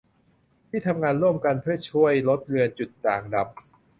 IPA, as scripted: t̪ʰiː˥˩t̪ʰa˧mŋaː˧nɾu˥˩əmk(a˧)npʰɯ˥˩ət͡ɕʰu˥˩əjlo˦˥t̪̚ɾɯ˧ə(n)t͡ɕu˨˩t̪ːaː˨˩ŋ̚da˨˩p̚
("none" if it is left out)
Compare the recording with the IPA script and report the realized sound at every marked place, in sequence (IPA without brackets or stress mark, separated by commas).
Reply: a˧, n